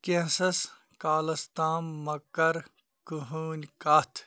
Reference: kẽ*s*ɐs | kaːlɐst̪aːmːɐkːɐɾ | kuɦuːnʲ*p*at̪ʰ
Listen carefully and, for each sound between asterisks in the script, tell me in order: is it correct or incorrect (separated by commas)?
correct, incorrect